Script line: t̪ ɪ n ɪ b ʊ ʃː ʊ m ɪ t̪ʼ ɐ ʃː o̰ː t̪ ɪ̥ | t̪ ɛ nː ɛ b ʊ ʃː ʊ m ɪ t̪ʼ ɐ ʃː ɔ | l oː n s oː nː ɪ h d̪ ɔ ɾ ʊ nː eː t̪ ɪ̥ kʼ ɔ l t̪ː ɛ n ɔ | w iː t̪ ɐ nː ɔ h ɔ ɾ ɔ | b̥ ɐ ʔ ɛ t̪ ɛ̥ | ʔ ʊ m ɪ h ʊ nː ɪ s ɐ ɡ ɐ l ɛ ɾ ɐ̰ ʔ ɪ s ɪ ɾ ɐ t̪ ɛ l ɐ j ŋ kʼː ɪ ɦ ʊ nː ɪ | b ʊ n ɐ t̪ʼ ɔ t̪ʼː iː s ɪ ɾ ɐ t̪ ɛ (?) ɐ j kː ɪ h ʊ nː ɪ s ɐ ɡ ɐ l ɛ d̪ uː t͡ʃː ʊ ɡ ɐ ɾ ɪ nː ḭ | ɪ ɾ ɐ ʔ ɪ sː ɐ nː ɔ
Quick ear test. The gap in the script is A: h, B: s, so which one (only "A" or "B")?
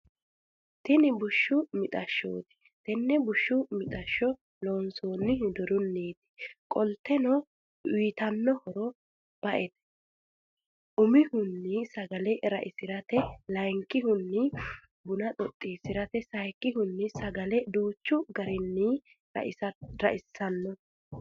B